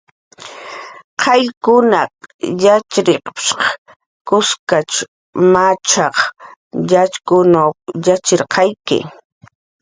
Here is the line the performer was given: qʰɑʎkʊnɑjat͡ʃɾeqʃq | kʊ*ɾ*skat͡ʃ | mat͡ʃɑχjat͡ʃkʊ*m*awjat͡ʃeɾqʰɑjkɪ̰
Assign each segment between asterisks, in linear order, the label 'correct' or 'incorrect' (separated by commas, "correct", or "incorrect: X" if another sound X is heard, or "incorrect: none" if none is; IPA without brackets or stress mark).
incorrect: none, incorrect: n